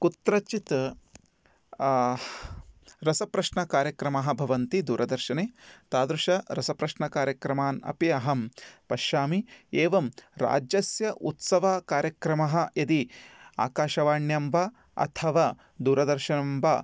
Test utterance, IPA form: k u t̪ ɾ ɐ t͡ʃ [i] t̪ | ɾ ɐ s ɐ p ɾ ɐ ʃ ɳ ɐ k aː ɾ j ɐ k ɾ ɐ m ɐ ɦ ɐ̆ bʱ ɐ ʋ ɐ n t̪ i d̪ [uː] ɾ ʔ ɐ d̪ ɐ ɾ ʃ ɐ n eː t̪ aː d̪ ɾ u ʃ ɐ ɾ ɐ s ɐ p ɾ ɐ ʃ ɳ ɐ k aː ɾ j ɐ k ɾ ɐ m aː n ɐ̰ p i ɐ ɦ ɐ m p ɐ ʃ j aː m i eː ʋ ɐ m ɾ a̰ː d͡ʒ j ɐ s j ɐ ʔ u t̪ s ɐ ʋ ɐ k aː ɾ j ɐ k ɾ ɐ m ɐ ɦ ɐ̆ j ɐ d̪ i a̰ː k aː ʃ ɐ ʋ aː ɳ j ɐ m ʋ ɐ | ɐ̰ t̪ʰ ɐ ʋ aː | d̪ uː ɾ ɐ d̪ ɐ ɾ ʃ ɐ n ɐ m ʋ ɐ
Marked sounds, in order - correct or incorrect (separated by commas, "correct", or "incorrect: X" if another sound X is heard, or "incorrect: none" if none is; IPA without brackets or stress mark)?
correct, correct